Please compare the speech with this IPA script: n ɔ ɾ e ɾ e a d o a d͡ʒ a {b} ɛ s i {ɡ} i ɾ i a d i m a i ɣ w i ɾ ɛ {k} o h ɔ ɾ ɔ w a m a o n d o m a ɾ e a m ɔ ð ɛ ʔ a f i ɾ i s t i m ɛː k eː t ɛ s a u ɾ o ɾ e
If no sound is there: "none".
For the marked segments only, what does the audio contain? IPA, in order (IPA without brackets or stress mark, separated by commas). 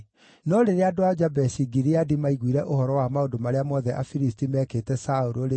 b, ɡ, ʔ